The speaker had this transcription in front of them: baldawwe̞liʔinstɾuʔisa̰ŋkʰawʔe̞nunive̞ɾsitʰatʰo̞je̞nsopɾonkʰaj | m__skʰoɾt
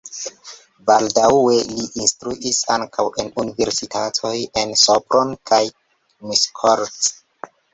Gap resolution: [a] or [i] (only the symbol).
i